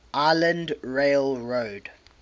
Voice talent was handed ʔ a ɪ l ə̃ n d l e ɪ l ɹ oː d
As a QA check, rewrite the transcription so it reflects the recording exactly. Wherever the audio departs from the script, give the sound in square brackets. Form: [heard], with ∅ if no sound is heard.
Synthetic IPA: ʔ a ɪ l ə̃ n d [ɹ] e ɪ l ɹ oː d

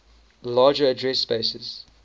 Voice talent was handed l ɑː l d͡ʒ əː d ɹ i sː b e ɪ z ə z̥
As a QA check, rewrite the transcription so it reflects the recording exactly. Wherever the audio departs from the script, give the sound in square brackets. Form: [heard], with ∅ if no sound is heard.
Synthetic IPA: l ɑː [∅] d͡ʒ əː d ɹ [ɛ] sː [p] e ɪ [s] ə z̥

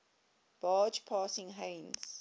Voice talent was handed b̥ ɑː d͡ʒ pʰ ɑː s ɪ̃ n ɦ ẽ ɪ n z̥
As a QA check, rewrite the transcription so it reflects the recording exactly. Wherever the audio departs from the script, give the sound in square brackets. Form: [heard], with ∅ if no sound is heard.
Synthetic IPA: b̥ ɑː d͡ʒ pʰ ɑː s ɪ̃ [ŋ] ɦ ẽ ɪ n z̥

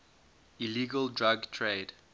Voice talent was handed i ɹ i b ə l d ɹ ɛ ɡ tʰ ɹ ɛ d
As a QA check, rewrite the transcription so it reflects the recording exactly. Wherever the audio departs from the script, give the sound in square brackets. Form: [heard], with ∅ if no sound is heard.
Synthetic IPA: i [l] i [ɡ] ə l d ɹ [a] ɡ tʰ ɹ [e] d

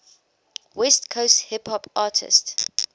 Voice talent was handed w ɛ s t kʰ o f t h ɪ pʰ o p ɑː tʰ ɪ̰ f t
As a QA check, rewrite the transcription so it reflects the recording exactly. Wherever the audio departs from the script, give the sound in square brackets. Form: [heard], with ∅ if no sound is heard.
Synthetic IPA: w ɛ s t kʰ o [s] t h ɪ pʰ [ɔ] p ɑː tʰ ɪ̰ [s] t

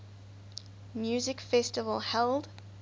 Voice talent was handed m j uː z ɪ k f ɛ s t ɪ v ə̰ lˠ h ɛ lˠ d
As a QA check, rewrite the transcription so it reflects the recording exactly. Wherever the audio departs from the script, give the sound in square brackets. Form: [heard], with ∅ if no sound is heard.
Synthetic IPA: m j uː z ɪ k f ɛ s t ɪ v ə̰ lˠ h ɛ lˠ d

